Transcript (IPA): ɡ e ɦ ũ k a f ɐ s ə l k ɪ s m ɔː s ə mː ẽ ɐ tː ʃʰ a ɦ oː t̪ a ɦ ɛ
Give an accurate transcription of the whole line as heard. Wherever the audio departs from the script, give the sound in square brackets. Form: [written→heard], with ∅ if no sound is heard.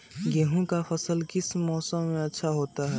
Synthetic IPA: ɡ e ɦ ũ k a f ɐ s ə l k ɪ s m ɔː s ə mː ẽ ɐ tː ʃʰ a ɦ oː t̪ a ɦ ɛ